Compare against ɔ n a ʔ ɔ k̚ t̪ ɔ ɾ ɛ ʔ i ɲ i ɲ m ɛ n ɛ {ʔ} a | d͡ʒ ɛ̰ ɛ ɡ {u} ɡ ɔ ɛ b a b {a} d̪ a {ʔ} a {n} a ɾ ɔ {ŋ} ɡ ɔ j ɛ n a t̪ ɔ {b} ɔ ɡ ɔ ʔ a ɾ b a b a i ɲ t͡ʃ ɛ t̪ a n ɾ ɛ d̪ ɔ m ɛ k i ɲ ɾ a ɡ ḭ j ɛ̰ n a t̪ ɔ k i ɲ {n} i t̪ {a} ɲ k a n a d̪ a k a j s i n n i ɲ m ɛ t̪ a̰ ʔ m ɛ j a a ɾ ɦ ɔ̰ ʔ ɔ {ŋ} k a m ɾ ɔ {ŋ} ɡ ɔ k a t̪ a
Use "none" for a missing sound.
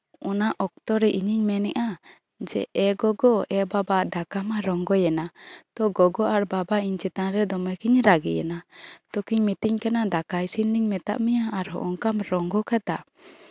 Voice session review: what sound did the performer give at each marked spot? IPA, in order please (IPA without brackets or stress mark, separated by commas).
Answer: ʔ, ɔ, a, k, m, ŋ, ɡ, m, i, ŋ, ŋ